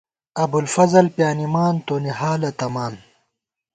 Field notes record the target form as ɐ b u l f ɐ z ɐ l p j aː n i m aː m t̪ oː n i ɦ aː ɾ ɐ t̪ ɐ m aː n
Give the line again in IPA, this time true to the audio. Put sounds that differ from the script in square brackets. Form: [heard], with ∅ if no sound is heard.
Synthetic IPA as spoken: ɐ b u l f ɐ z ɐ l p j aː n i m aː [n] t̪ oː n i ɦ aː [l] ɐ t̪ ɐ m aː n